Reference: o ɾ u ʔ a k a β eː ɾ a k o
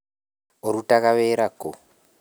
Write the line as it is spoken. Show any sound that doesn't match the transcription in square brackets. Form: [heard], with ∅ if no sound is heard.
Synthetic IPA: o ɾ u [t] a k a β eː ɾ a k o

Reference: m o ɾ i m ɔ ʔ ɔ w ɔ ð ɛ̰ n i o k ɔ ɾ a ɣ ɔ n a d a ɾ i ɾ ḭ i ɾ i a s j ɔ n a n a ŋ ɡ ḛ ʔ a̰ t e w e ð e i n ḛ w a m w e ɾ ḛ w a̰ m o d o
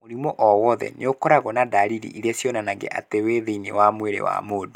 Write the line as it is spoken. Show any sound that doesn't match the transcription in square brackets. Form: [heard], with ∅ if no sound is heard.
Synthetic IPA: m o ɾ i m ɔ ʔ ɔ w ɔ ð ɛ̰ n [e] o k ɔ ɾ a ɣ ɔ n a d a ɾ i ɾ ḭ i ɾ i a s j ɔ n a n a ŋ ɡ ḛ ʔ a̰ t e w e ð e i n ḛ w a m w e ɾ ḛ w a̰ m o d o

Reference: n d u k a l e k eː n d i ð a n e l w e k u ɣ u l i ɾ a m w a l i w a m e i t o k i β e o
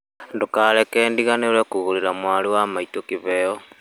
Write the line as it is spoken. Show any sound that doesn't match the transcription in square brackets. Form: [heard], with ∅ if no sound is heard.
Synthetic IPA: n d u k a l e k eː n d i [ɣ] a n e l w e k u ɣ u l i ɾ a m w a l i w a m [a] i t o k i β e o

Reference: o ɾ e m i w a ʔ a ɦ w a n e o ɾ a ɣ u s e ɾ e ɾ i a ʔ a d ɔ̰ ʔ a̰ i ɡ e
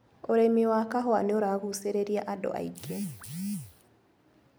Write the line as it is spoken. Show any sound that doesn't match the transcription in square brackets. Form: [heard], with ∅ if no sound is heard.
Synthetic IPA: o ɾ e m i w a [k] a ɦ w a n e o ɾ a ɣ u s e ɾ e ɾ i a ʔ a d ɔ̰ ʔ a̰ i ɡ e

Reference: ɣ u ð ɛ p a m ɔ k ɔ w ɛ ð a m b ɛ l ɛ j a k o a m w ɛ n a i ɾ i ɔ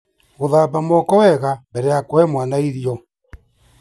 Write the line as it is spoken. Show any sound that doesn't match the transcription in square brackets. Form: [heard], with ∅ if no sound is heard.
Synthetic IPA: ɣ [o] ð [a] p a m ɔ k ɔ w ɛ [ɣ] a m b ɛ [ɾ] ɛ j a k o [ɛ] m w [a] n a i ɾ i ɔ

